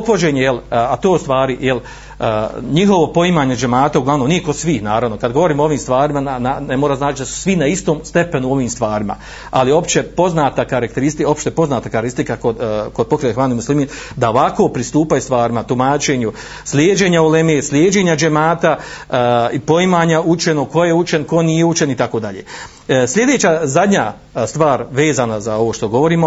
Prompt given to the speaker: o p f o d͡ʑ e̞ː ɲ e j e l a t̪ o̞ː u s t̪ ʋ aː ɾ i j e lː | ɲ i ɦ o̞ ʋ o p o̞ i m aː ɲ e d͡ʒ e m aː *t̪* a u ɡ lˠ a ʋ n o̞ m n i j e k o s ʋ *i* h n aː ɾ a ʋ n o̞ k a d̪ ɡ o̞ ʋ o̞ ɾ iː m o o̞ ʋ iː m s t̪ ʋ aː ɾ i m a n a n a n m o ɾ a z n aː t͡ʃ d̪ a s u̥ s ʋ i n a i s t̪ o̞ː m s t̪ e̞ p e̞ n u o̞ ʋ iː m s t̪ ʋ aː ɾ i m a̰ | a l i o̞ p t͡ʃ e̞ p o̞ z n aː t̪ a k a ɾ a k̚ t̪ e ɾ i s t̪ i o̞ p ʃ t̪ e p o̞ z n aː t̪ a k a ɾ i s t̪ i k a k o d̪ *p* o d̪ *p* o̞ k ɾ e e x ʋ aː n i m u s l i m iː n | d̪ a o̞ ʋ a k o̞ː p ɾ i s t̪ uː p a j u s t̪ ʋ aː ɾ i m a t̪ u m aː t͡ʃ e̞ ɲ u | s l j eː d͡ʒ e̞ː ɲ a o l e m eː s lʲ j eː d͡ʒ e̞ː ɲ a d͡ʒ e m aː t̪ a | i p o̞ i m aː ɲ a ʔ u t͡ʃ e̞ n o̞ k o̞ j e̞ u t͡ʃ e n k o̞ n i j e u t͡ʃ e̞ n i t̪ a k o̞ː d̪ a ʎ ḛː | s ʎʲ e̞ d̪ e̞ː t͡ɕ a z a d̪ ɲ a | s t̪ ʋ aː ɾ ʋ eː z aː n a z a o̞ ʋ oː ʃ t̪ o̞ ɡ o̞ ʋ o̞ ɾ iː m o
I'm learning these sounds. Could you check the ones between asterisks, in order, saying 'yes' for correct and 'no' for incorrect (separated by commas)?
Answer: yes, no, no, yes